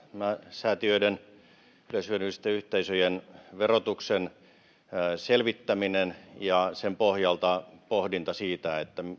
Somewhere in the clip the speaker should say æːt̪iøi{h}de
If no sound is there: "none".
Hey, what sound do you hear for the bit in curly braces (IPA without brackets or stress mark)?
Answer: none